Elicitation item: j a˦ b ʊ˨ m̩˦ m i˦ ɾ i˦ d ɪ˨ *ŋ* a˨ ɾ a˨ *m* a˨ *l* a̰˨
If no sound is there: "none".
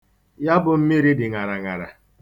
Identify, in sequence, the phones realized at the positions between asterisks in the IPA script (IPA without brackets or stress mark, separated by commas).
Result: ŋ, ŋ, ɾ